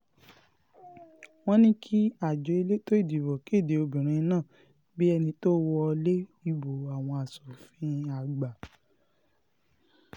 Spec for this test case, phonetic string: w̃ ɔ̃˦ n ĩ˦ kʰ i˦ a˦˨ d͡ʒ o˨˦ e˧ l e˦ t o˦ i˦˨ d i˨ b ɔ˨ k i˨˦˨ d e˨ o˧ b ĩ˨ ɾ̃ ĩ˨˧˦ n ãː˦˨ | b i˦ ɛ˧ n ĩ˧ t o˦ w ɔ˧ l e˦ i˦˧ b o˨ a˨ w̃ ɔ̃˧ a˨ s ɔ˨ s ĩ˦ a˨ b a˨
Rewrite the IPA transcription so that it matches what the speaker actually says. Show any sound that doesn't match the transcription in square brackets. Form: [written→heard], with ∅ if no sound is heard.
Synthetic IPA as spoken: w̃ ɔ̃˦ n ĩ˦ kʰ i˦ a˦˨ d͡ʒ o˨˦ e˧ l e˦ t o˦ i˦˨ d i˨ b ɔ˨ k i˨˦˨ d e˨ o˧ b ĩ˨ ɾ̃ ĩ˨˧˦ n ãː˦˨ | b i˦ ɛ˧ n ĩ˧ t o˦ w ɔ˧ l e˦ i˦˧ b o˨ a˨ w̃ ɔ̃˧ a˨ s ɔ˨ [s→f] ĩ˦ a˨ [b→ɡ͡b] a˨